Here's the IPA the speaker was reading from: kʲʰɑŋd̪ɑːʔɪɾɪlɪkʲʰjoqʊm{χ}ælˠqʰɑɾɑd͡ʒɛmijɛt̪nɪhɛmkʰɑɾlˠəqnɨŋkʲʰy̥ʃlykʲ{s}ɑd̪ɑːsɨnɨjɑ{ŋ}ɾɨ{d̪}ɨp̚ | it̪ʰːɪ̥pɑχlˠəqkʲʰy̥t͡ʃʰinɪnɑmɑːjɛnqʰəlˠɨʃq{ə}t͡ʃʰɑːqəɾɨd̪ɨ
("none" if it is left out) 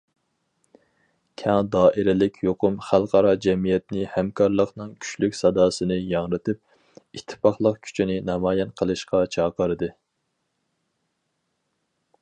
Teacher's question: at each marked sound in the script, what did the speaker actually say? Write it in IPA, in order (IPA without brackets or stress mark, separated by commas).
χ, s, ŋ, t̪, ɑ